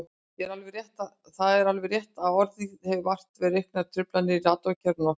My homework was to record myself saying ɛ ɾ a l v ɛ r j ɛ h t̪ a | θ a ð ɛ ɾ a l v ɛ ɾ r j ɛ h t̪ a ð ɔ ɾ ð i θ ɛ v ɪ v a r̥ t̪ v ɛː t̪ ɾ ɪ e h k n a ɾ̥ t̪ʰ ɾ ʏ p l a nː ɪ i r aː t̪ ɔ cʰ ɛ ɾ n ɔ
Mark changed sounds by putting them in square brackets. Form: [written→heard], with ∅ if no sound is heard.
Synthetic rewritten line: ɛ ɾ a l v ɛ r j ɛ h t̪ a | θ a ð ɛ ɾ a l v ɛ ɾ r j ɛ h t̪ a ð ɔ ɾ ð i [θ→h] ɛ v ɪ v a r̥ t̪ v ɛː [t̪→∅] ɾ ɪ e h k n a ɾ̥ t̪ʰ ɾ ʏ p l a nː ɪ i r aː t̪ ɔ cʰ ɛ ɾ n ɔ